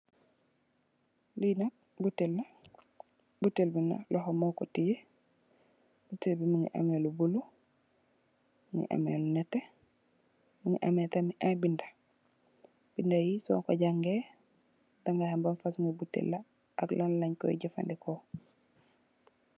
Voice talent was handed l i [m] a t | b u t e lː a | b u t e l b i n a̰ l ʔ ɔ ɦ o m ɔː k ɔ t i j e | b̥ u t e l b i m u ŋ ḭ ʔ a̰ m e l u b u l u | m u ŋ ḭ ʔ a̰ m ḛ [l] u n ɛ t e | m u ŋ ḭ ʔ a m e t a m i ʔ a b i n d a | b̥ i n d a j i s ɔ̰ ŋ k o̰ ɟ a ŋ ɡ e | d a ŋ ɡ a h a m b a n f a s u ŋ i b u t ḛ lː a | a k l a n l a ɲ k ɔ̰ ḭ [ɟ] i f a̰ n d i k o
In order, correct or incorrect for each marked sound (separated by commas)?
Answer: incorrect, correct, correct